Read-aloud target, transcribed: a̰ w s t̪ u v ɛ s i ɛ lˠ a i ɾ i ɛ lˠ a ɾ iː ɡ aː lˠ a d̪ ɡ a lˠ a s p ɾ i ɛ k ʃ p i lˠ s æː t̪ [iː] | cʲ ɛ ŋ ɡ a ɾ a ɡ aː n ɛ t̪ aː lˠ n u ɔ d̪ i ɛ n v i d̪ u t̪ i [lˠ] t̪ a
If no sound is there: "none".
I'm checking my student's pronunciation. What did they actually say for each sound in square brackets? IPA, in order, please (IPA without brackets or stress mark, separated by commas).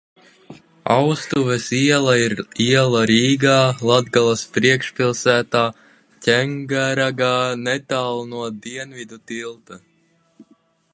aː, lˠ